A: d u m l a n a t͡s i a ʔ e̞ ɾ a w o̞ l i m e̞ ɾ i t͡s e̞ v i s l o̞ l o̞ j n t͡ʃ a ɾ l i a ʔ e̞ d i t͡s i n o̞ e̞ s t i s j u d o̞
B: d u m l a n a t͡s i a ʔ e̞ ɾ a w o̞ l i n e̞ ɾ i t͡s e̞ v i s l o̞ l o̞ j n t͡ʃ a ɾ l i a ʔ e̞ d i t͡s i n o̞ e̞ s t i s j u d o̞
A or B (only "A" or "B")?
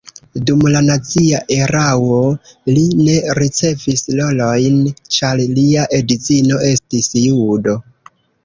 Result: B